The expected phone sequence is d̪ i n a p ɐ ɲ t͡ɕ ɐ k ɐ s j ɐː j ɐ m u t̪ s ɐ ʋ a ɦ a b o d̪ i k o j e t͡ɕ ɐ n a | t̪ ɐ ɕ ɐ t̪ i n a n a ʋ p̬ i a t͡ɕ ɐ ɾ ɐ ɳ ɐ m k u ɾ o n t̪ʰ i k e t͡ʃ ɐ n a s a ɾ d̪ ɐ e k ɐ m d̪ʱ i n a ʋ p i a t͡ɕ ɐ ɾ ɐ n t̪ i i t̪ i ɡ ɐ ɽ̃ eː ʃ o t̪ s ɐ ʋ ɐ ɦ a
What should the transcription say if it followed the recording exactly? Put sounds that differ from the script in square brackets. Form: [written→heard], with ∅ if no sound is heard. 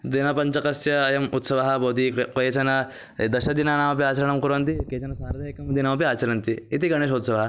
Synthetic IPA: d̪ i n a p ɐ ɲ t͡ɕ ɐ k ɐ s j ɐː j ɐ m u t̪ s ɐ ʋ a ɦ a b o d̪ i k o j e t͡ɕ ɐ n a | [t̪→d̪] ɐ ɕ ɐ [t̪→d̪] i n a n a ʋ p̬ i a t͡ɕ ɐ ɾ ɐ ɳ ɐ m k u ɾ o n [t̪ʰ→t̪] i k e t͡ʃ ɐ n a s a ɾ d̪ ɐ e k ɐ m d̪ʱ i n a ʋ p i a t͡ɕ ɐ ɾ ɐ n t̪ i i t̪ i ɡ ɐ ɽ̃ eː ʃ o t̪ s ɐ ʋ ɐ ɦ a